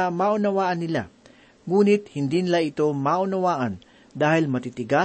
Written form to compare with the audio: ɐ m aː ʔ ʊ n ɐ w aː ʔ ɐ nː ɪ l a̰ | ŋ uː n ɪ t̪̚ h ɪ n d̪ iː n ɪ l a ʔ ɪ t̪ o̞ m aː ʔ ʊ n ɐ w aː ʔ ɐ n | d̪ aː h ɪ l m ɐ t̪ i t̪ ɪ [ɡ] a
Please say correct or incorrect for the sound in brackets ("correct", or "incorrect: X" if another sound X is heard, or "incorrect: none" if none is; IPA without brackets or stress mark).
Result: correct